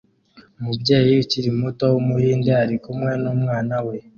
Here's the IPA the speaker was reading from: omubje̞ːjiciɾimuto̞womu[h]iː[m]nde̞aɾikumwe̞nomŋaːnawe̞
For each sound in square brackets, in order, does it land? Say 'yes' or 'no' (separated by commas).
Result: yes, no